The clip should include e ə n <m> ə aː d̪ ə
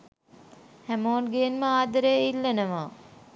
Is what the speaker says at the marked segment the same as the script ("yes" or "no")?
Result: yes